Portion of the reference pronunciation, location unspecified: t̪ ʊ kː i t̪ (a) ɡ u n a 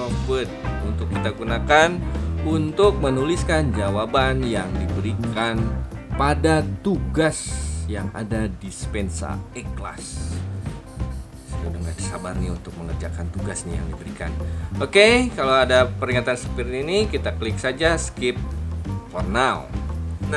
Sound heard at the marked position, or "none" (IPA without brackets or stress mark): a